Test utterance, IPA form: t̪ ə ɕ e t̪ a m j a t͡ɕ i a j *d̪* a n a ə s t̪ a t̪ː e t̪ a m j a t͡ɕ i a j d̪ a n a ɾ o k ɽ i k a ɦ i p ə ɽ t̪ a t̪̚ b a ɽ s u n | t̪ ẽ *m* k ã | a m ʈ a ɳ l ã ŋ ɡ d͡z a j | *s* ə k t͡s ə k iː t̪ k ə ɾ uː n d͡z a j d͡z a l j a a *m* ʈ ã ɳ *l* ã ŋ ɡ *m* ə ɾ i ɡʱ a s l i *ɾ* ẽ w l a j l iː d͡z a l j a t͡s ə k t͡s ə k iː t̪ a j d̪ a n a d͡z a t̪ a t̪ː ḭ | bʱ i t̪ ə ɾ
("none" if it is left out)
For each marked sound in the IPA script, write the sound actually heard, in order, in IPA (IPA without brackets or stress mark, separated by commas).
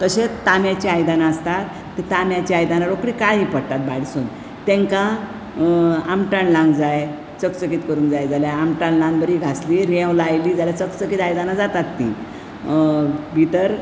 d̪, ŋ, t͡s, m, l, b, ɾ